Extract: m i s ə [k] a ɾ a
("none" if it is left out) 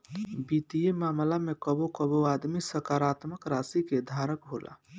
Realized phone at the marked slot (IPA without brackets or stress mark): k